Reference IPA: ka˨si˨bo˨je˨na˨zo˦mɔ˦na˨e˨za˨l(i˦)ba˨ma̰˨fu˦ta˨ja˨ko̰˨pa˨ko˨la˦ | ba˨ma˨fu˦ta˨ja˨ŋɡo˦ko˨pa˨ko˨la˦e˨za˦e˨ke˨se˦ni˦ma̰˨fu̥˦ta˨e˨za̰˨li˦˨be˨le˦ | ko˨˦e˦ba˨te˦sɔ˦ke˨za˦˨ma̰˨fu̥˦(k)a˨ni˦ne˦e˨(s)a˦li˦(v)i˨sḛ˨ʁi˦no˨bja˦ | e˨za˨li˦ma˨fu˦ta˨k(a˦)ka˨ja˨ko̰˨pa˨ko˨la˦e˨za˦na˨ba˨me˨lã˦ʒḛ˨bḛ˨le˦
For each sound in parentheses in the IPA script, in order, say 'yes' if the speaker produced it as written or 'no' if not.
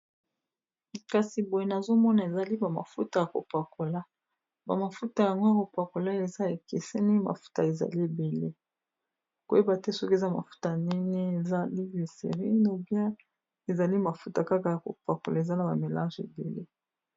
yes, no, no, yes, yes

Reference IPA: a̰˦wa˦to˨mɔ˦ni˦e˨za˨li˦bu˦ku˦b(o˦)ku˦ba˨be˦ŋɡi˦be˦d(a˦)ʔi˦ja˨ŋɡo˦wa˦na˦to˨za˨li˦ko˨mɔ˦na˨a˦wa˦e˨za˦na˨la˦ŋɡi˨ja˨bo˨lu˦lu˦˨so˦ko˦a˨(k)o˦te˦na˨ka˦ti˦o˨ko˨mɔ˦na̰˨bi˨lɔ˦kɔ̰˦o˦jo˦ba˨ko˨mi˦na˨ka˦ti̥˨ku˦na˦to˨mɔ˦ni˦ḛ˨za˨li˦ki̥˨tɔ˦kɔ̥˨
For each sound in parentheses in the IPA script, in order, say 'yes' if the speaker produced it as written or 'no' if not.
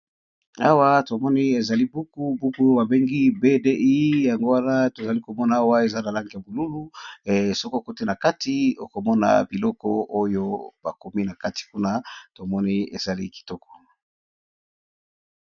no, no, yes

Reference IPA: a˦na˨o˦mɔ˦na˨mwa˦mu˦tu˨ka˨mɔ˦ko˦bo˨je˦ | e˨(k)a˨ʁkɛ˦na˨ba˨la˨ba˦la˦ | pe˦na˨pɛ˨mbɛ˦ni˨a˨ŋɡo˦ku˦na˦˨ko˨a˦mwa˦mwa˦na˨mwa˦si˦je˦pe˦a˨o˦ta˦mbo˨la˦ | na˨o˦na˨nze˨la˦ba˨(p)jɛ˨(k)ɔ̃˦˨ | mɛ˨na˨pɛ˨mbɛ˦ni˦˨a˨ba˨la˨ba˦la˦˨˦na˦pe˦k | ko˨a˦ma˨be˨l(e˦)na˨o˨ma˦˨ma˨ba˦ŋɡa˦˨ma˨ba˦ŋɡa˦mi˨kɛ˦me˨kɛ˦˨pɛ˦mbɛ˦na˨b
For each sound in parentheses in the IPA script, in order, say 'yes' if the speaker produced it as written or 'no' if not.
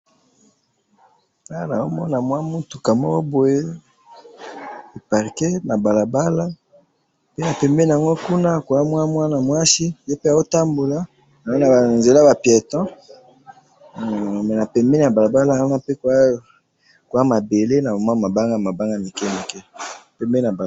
no, yes, no, yes

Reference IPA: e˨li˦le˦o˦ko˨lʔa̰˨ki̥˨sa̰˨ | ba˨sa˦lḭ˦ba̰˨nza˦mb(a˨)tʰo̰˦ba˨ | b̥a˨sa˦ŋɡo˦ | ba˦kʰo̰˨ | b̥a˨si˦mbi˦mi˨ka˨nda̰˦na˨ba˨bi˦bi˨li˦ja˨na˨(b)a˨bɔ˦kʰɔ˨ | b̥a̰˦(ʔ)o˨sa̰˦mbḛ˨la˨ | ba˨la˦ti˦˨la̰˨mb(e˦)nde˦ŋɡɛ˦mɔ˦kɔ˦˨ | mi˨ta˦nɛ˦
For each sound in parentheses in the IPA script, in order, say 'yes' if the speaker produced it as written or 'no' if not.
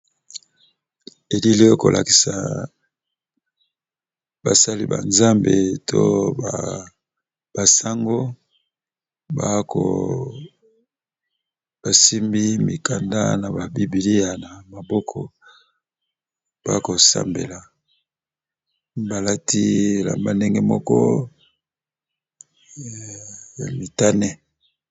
no, no, no, no

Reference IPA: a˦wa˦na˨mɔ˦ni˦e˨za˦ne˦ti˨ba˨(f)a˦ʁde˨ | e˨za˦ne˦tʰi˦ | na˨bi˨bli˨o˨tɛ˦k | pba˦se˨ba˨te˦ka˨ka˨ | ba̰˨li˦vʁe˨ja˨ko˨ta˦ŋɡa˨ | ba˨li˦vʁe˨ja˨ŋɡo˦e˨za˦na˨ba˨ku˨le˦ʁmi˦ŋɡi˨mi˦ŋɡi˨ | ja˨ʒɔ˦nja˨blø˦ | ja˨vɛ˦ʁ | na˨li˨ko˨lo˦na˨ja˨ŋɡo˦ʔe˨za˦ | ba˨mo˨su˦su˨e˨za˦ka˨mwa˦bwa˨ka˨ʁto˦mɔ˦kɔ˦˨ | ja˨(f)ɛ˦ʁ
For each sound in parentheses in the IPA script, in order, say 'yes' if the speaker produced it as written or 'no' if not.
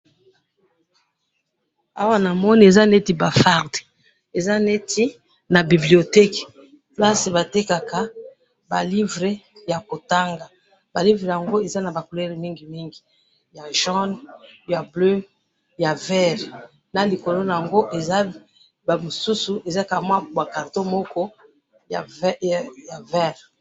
yes, no

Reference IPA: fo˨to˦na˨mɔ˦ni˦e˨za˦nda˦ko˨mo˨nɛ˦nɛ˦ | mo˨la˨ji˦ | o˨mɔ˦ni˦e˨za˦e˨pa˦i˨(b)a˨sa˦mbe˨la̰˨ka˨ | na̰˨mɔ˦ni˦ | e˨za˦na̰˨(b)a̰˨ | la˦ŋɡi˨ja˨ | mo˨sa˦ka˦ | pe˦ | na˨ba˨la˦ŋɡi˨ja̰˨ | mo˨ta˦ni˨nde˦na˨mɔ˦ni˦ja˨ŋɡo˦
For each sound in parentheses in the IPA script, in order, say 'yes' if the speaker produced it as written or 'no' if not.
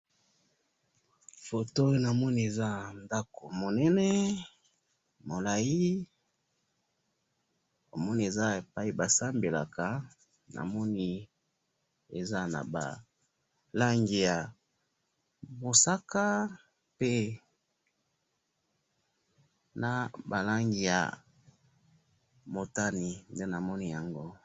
yes, yes

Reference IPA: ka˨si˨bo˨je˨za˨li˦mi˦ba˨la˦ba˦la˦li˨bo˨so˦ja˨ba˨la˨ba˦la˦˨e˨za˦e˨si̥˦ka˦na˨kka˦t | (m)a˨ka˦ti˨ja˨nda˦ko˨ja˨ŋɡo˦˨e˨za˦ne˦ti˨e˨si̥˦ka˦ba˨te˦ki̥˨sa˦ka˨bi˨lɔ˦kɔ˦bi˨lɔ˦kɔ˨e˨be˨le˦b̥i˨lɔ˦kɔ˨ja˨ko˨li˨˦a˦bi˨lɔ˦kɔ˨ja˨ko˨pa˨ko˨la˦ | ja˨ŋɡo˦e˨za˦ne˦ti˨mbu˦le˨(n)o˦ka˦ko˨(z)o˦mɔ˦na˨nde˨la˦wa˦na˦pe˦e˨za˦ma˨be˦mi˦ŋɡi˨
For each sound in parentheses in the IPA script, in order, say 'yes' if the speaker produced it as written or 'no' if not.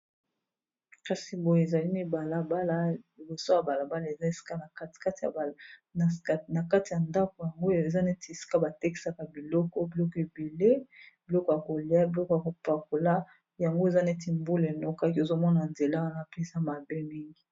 no, yes, yes

